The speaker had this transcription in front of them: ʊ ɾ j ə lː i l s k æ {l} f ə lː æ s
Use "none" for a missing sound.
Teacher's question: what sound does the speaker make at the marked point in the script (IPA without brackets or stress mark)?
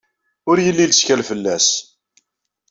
l